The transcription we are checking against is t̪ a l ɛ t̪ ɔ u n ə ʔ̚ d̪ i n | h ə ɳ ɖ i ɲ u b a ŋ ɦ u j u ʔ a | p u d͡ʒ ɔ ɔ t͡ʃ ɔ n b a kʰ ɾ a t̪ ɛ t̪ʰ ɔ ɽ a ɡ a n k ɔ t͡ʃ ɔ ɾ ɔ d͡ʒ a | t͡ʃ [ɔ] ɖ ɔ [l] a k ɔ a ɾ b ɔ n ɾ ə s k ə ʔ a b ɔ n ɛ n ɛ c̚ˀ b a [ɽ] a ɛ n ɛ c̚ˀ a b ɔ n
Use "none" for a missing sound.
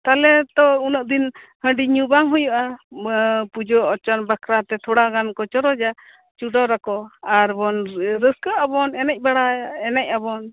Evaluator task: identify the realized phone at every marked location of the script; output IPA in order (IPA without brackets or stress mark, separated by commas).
u, ɾ, ɽ